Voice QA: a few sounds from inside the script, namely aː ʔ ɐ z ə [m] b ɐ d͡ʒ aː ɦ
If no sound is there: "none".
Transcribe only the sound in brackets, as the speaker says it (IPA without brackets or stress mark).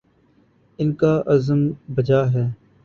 m